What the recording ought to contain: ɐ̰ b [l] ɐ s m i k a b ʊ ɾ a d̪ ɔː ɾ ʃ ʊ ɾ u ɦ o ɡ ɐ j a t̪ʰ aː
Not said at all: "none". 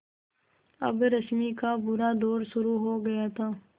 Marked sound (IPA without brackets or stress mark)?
ɾ